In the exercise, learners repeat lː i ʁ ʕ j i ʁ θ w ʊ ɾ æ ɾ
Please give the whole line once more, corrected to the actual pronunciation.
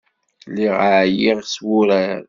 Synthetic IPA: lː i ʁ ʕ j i ʁ s w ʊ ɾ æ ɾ